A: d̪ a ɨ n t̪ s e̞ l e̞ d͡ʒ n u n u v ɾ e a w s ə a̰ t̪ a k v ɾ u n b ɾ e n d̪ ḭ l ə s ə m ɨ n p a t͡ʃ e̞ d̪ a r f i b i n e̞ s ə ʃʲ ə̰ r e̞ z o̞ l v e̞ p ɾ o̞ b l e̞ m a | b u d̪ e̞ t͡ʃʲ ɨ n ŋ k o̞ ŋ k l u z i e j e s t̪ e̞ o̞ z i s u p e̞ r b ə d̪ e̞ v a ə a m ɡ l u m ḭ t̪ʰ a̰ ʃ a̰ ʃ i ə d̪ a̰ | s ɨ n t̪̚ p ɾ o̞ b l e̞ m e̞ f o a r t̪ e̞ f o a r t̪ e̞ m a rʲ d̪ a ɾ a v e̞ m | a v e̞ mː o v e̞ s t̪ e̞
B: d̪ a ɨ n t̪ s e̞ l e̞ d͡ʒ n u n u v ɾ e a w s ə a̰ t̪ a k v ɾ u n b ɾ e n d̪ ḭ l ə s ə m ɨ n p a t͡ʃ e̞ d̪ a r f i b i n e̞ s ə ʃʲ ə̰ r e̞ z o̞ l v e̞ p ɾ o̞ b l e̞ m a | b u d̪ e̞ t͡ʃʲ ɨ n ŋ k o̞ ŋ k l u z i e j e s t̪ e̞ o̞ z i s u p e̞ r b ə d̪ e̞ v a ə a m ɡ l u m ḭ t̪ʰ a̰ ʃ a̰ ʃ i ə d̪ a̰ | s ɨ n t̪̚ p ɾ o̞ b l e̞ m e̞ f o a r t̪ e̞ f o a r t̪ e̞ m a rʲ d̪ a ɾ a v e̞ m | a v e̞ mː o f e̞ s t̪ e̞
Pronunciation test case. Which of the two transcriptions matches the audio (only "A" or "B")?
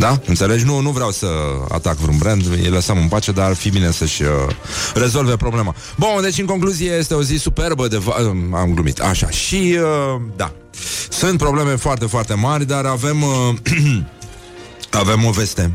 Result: A